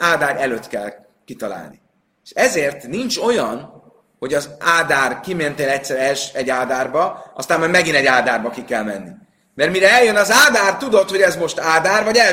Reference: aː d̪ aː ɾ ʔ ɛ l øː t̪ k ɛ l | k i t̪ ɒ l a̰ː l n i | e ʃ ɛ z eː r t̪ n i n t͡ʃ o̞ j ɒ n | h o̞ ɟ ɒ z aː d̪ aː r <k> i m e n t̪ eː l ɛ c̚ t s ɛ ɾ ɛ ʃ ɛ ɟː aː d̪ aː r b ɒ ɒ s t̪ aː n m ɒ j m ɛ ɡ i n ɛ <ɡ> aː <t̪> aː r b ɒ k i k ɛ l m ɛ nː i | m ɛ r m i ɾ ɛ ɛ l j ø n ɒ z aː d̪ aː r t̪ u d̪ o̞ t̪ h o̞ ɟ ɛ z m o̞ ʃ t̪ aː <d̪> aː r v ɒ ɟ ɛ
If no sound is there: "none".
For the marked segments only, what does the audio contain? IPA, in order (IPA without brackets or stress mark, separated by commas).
k, ɟ, d̪, d̪